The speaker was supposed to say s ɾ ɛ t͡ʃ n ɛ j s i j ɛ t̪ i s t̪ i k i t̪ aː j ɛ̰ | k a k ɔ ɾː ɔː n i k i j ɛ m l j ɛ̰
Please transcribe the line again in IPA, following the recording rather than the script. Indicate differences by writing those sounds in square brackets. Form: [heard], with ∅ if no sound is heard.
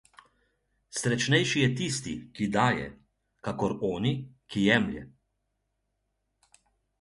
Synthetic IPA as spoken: s ɾ ɛ t͡ʃ n ɛ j [ʃ] i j ɛ t̪ i s t̪ i k i [d̪] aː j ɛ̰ | k a k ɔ [ɾ] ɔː n i k i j ɛ m l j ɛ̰